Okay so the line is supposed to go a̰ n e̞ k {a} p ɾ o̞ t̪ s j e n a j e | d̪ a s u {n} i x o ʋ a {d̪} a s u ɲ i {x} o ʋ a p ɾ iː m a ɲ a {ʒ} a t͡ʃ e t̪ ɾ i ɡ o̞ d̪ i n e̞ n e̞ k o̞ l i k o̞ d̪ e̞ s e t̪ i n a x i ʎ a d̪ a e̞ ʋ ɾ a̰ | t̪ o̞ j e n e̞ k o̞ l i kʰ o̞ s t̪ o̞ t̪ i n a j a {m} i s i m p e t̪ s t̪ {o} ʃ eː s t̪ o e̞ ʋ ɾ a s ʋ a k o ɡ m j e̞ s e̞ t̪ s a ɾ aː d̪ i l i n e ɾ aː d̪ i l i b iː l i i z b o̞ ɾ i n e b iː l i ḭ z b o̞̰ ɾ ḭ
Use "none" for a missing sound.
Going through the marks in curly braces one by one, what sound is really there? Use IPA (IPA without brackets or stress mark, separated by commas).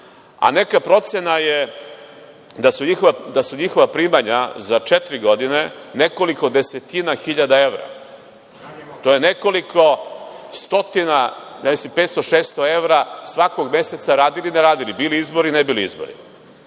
a, ɲ, d̪, x, z, m, o